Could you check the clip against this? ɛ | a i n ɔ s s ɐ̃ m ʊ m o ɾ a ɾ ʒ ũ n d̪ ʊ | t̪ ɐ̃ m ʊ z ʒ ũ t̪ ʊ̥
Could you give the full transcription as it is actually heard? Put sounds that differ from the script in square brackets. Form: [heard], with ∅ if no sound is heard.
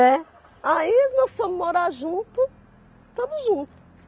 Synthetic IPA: ɛ | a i n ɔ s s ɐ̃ m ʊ m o ɾ a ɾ ʒ ũ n [t̪] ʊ | t̪ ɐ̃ m ʊ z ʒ ũ t̪ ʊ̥